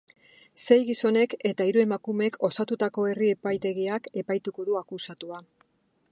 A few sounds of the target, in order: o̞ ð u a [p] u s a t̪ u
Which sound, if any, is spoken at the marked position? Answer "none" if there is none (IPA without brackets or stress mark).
k